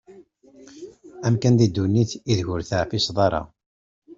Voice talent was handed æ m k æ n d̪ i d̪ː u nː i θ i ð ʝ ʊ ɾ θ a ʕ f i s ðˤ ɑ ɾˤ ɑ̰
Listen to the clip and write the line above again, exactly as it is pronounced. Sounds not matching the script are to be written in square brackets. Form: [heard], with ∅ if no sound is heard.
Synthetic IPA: æ m k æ n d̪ i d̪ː u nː i θ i ð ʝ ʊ ɾ θ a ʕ f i s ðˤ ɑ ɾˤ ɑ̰

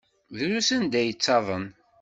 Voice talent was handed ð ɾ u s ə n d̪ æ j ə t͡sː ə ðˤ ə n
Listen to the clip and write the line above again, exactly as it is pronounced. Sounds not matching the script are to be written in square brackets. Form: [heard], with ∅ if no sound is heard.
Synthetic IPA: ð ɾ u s ə n d̪ æ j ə t͡sː [ɑ] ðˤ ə n

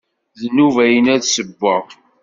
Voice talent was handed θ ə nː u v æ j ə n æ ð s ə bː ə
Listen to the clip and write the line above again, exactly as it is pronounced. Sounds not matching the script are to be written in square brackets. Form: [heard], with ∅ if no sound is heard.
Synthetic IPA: [ð] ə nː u v æ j ə n æ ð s ə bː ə

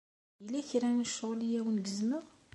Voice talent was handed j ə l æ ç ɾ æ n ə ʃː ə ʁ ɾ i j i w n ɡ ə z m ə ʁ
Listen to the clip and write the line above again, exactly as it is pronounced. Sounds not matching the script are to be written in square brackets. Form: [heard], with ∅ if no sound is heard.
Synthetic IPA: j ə l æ ç ɾ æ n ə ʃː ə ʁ [l] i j [æ] w n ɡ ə z m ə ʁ

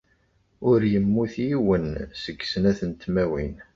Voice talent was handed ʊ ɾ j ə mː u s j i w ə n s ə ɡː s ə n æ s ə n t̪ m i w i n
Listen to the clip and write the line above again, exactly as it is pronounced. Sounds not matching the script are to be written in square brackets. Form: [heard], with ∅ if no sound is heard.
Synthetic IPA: ʊ ɾ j ə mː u [θ] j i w ə n s ə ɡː s ə n æ [θ] ə n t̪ m [æ] w i n

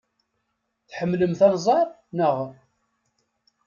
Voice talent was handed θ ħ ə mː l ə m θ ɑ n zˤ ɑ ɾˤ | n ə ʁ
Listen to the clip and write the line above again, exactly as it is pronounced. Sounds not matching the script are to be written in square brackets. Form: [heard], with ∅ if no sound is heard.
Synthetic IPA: θ ħ ə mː l ə m θ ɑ n zˤ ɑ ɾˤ | n ə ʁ

